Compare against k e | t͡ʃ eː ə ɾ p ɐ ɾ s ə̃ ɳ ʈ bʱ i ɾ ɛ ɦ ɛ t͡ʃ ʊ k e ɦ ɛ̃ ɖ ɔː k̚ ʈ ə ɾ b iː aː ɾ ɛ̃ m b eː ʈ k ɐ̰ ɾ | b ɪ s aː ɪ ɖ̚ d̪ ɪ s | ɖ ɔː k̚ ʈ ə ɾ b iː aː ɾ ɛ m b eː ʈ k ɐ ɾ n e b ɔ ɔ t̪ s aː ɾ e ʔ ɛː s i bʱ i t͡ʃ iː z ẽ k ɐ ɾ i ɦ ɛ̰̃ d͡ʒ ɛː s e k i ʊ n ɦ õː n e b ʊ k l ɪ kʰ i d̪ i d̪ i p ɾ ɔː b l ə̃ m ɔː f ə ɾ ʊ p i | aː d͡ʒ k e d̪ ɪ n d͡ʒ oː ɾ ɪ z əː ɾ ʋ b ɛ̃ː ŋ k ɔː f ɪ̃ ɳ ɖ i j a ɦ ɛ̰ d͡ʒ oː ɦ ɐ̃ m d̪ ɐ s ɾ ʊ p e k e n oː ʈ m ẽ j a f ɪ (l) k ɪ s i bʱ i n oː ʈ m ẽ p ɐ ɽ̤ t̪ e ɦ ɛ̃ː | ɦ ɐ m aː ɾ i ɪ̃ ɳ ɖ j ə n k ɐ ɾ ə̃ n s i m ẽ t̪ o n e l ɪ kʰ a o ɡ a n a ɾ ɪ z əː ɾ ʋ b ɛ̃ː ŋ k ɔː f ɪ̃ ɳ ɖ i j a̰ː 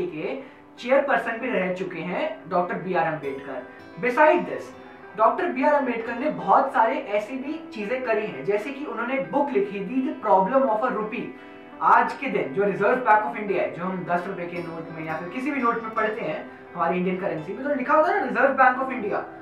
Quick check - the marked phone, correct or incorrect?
incorrect